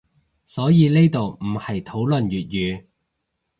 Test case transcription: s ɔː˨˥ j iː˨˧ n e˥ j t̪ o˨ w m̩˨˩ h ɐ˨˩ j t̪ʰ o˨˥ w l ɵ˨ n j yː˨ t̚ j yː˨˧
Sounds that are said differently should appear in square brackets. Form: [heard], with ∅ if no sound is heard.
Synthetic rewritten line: s ɔː˨˥ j iː˨˧ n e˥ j t̪ o˨ w m̩˨˩ h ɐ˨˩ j t̪ʰ o˨˥ w l ɵ˨ n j yː˨ t̚ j yː˨˧

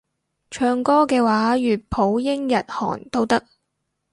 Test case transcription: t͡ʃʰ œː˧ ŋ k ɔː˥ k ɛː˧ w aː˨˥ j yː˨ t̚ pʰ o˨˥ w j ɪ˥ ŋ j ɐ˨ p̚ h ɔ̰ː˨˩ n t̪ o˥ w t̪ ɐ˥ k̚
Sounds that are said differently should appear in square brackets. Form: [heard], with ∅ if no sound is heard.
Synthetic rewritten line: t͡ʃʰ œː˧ ŋ k ɔː˥ k ɛː˧ w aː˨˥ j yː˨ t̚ pʰ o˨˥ w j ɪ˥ ŋ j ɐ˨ [t̚] h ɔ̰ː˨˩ n t̪ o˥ w t̪ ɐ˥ k̚

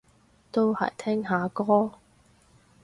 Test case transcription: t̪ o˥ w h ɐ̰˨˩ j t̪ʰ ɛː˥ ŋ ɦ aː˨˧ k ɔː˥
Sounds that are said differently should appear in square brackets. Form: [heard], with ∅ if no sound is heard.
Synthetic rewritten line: t̪ o˥ w h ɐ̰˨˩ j t̪ʰ ɛː˥ ŋ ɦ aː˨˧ k ɔː˥

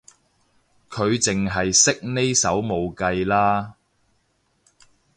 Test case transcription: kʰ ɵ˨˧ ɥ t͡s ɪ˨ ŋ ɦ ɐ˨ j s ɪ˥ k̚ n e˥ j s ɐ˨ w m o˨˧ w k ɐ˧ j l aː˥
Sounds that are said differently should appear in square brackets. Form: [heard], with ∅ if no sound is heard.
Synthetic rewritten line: kʰ ɵ˨˧ ɥ t͡s ɪ˨ ŋ ɦ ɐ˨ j s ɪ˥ k̚ n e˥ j s [ɐ˨˥] w m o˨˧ w k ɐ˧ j l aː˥

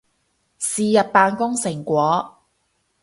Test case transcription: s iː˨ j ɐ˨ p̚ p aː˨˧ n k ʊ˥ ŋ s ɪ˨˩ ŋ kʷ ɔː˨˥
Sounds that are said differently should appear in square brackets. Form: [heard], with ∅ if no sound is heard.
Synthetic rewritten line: s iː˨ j ɐ˨ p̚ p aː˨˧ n k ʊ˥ ŋ s ɪ˨˩ ŋ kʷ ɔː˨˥

